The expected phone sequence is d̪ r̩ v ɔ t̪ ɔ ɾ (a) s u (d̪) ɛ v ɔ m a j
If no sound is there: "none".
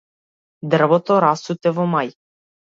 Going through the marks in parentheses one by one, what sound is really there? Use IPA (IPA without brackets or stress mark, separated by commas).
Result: a, t̪